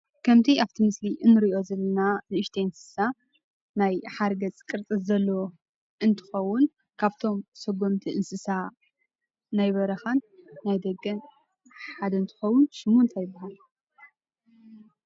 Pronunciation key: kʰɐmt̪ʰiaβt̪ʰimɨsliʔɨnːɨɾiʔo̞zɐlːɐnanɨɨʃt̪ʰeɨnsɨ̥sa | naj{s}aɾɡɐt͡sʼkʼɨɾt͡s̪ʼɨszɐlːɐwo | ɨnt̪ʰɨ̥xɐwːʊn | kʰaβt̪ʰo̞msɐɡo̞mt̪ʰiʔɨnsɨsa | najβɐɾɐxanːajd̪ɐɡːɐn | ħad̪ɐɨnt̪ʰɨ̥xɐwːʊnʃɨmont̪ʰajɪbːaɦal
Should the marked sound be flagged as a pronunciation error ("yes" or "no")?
yes